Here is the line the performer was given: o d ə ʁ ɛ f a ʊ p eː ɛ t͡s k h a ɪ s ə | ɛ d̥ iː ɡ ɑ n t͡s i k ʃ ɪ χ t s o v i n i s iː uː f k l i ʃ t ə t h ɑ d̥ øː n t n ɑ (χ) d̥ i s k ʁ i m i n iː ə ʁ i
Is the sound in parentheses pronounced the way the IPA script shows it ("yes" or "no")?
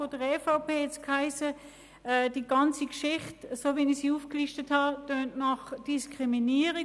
yes